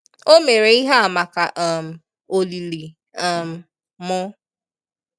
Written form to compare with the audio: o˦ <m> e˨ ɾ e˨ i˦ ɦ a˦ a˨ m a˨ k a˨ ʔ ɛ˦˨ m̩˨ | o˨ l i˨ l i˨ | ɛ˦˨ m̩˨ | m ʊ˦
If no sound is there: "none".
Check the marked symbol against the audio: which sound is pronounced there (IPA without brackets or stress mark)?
m